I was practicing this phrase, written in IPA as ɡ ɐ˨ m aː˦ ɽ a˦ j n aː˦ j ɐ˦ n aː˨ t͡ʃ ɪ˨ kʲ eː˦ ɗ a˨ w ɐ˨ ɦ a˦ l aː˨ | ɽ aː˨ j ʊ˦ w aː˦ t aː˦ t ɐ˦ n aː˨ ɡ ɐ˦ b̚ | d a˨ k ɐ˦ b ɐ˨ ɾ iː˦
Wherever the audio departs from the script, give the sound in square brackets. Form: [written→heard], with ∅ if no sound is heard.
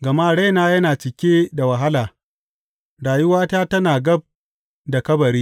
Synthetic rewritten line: ɡ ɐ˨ m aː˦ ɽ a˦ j n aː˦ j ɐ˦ n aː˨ t͡ʃ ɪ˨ kʲ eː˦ [ɗ→d] a˨ w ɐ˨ ɦ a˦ l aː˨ | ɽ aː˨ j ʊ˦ w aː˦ t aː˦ t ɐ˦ n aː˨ ɡ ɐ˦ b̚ | d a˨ k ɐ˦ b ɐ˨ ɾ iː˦